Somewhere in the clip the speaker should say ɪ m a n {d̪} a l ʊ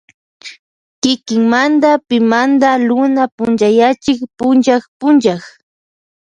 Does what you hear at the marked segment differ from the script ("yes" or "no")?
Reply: no